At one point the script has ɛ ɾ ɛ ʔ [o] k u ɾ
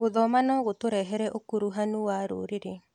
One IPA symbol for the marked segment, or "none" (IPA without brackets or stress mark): o